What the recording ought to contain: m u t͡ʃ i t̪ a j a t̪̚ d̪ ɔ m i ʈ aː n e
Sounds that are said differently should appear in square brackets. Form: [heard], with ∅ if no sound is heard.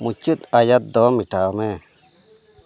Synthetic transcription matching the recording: m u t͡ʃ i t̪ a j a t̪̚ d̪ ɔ m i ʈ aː [m] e